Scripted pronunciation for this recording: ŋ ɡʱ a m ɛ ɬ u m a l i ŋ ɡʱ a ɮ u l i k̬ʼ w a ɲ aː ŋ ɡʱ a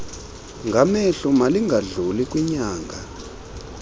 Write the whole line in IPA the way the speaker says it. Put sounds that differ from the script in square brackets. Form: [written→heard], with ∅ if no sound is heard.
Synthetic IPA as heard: ŋ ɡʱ a m ɛ ɬ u m a l i ŋ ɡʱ a ɮ u l i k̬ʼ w [a→i] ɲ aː ŋ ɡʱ a